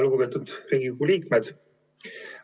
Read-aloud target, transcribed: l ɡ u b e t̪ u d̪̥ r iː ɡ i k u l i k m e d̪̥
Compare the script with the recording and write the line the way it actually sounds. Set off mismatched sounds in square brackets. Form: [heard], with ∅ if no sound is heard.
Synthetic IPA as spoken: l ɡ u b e t̪ u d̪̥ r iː ɡ i k u l [iː] k m e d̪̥

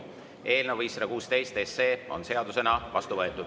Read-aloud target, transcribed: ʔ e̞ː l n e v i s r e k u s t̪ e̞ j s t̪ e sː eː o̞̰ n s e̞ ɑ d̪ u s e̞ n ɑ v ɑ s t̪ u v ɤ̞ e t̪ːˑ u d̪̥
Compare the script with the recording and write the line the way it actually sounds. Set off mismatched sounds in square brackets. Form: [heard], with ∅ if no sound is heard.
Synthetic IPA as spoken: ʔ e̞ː l n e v i s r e k [uː] s t̪ e̞ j s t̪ e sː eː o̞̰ n s e̞ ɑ d̪ u s e̞ n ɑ v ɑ s t̪ u v ɤ̞ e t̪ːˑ u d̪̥

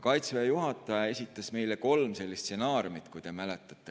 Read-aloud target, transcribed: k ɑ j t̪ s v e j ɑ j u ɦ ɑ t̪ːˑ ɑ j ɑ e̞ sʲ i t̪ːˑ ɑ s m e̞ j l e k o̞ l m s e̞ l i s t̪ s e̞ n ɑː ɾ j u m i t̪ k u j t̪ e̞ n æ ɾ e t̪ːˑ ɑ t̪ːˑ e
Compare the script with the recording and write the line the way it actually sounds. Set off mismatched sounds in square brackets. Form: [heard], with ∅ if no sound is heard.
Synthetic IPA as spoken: k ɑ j t̪ s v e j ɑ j u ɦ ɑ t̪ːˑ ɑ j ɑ e̞ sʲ i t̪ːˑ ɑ s m e̞ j l e k o̞ l m s e̞ [lː] i s t̪ s e̞ n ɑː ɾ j u m i t̪ k u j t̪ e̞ [m] æ [l] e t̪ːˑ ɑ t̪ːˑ e

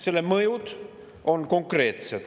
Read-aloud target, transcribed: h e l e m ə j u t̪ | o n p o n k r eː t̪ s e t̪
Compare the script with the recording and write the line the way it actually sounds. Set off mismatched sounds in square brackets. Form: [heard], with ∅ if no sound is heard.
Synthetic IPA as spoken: [s] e l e m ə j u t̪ | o n [k] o [ŋ] k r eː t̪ s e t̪

